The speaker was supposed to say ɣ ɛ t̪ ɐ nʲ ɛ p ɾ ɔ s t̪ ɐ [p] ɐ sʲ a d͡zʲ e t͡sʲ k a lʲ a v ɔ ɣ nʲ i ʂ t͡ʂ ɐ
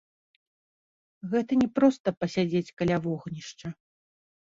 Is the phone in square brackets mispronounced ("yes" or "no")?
no